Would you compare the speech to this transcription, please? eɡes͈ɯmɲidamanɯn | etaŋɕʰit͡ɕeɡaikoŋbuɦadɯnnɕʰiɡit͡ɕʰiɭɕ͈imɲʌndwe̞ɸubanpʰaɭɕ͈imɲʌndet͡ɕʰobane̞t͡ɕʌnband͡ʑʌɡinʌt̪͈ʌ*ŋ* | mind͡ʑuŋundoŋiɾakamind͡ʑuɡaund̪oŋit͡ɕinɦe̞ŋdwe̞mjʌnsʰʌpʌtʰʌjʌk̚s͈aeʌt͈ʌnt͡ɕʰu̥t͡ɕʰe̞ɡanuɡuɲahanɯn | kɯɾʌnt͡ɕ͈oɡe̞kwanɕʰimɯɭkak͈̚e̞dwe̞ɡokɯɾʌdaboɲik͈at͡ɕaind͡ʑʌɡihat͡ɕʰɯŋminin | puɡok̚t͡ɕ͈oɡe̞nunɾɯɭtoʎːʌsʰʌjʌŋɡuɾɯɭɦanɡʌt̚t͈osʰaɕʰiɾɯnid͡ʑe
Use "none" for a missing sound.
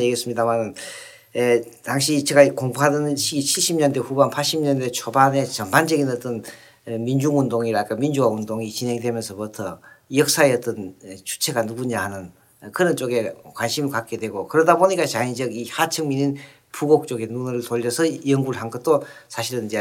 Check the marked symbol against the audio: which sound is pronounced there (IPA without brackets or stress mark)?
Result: n